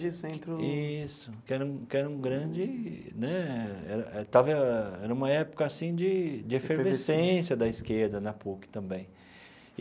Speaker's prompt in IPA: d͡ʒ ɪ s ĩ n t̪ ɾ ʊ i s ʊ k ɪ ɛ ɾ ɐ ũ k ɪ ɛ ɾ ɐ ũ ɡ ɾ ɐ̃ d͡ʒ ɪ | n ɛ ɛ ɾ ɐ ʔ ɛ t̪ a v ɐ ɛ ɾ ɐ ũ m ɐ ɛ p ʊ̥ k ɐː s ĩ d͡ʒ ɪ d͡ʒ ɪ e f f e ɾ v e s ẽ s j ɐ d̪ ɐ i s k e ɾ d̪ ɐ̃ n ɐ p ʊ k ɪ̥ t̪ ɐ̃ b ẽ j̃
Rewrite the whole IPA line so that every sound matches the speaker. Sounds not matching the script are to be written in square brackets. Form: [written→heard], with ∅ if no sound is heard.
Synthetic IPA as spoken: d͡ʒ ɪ s [ĩ→ẽ] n t̪ ɾ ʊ i s ʊ k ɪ ɛ ɾ ɐ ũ k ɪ ɛ ɾ ɐ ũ ɡ ɾ ɐ̃ d͡ʒ ɪ | n ɛ ɛ ɾ ɐ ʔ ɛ t̪ a v ɐ ɛ ɾ ɐ ũ m ɐ ɛ p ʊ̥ k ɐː s ĩ d͡ʒ ɪ d͡ʒ ɪ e f f e ɾ v e s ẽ s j ɐ d̪ ɐ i s k e ɾ d̪ [ɐ̃→ɐ] n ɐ p [ʊ→u] k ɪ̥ t̪ ɐ̃ b ẽ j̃

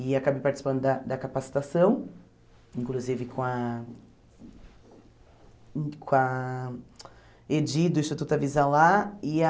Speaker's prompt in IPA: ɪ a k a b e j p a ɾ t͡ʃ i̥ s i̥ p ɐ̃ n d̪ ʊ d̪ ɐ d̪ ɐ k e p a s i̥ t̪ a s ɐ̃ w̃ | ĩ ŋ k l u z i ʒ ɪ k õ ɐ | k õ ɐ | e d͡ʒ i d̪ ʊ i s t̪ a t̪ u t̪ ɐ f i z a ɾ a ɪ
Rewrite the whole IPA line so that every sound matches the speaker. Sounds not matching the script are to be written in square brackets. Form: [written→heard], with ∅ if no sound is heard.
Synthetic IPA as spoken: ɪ a k a b e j p a ɾ t͡ʃ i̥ s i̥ p ɐ̃ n d̪ ʊ d̪ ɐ d̪ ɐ k [e→a] p a s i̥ t̪ a s ɐ̃ w̃ | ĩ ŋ k l u z i [ʒ→v] ɪ k õ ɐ | k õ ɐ | e d͡ʒ i d̪ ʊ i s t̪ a t̪ u t̪ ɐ [f→v] i z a [ɾ→l] a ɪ

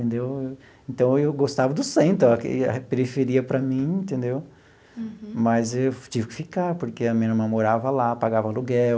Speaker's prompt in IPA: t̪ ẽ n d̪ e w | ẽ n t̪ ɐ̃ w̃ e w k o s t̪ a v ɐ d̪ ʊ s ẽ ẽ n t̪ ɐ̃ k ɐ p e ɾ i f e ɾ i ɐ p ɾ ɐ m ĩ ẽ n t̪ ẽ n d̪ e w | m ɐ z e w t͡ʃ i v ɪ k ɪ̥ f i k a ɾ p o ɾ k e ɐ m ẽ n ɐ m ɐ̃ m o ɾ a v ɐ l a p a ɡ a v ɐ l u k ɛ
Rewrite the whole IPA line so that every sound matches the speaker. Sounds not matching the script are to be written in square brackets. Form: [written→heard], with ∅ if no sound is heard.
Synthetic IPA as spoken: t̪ ẽ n d̪ e w | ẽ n t̪ ɐ̃ w̃ e w [k→ɡ] o s t̪ a v ɐ d̪ ʊ s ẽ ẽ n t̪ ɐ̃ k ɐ p e ɾ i f e ɾ i ɐ p ɾ ɐ m ĩ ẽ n t̪ ẽ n d̪ e w | m ɐ z e w t͡ʃ i v ɪ k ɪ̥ f i k a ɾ p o ɾ k e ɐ m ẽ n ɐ m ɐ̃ m o ɾ a v ɐ l a p a ɡ a v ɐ l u [k→ɡ] ɛ

